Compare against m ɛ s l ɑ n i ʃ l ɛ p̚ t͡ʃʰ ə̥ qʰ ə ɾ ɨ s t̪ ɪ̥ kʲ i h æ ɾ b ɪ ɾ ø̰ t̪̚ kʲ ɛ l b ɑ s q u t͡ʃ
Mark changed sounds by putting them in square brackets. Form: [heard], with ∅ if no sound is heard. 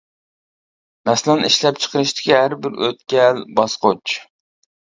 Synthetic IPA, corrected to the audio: m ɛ s l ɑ n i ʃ l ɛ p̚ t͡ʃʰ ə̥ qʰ ə ɾ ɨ [ʃ] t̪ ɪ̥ kʲ i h æ ɾ b ɪ ɾ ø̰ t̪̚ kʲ ɛ l b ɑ s q [o] t͡ʃ